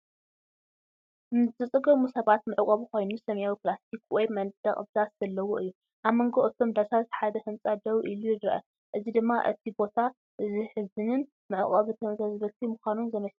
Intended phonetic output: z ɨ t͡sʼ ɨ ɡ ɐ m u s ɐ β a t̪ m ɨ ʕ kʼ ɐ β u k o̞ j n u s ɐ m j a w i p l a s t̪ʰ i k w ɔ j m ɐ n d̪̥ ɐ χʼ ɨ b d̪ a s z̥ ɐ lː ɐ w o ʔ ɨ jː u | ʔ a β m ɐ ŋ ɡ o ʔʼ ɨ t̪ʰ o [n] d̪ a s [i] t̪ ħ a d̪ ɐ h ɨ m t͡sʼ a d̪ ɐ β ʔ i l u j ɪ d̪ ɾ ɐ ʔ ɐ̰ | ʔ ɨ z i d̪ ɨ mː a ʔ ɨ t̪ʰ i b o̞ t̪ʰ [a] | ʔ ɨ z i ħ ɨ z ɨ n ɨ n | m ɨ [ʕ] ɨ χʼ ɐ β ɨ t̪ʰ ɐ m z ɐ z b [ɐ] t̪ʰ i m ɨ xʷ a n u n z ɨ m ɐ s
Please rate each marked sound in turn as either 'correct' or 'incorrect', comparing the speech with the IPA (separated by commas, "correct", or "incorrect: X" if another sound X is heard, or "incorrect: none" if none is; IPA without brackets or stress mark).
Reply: incorrect: m, incorrect: a, correct, correct, correct